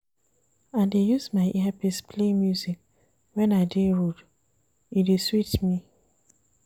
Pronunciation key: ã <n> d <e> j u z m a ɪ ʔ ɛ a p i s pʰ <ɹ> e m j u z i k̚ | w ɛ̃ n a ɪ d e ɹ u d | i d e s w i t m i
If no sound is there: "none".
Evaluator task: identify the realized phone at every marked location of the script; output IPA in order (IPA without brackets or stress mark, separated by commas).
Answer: n, e, l